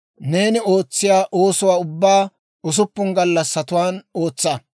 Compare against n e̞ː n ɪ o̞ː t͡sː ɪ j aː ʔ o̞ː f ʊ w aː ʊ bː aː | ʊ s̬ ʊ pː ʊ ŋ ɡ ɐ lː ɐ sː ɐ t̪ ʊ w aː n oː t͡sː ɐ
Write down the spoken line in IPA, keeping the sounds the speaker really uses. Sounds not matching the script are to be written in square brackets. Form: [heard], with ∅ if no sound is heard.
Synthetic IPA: n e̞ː n ɪ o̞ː t͡sː ɪ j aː ʔ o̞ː [s] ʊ w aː ʊ bː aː | ʊ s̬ ʊ pː ʊ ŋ ɡ ɐ lː ɐ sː ɐ t̪ ʊ w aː n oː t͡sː ɐ